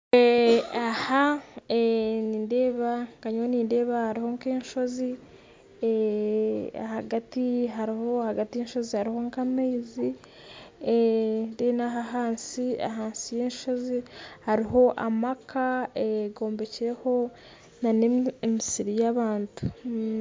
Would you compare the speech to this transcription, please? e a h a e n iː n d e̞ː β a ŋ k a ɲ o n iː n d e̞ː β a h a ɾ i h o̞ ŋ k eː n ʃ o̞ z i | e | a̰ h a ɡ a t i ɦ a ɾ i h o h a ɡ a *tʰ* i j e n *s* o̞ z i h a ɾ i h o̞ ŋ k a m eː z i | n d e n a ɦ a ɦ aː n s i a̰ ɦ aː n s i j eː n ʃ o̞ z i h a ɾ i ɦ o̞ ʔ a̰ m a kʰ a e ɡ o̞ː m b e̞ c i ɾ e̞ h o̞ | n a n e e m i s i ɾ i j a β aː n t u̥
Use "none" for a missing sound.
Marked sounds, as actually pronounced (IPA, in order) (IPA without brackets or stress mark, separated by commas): t, ʃ